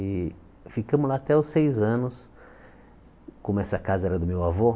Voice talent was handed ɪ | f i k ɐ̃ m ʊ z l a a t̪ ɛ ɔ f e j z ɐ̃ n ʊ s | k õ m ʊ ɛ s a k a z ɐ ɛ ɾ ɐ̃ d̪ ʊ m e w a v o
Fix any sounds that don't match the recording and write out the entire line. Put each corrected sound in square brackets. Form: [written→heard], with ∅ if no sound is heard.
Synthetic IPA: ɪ | f i k ɐ̃ m ʊ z l a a t̪ ɛ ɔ [f→s] e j z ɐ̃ n ʊ s | k õ m ʊ ɛ s [a→ɐ] k a z ɐ ɛ ɾ [ɐ̃→ɐ] d̪ ʊ m e w a v o

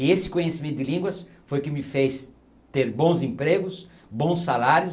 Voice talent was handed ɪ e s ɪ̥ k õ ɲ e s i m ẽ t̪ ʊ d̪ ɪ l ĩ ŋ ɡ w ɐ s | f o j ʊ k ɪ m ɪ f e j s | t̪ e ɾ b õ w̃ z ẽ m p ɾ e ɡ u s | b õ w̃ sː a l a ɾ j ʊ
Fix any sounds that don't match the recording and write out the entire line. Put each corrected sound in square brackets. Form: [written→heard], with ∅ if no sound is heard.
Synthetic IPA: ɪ e s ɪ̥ k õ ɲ e s i m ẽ t̪ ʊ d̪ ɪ l ĩ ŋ ɡ w ɐ s | f o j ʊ k ɪ m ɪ f e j s | t̪ e ɾ b õ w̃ z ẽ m p ɾ e ɡ [u→ʊ] s | b õ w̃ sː a l a ɾ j ʊ

